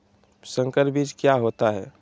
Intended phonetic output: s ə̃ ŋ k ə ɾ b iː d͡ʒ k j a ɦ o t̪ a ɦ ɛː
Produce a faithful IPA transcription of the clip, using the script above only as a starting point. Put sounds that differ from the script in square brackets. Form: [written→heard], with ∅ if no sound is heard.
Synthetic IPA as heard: s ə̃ ŋ k ə ɾ b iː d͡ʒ k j a ɦ o t̪ a ɦ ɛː